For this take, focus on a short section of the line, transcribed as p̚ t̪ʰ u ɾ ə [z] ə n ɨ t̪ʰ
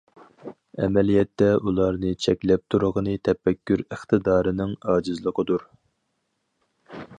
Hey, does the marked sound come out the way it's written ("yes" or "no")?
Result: no